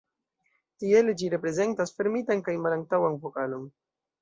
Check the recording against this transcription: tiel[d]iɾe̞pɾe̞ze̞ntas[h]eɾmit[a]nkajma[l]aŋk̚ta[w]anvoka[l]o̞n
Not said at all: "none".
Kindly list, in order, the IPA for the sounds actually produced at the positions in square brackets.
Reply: d͡ʒ, f, a, l, w, l

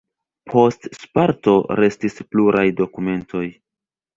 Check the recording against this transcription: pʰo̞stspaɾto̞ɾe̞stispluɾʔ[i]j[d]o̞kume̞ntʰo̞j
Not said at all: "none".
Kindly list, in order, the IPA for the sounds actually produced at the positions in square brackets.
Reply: a, d

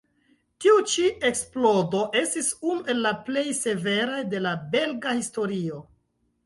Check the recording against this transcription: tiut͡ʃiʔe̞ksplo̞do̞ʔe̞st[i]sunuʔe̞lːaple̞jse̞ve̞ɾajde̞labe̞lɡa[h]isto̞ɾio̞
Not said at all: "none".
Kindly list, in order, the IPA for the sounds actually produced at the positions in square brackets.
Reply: i, h

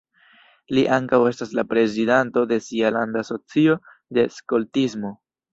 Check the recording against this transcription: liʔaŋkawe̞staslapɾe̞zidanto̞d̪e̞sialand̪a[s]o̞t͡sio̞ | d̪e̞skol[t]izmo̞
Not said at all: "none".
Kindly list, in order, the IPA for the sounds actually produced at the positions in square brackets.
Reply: s, t

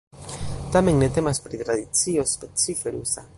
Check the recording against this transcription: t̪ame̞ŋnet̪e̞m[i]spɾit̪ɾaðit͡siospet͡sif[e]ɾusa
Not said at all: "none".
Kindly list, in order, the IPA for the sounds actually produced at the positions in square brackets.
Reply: a, e

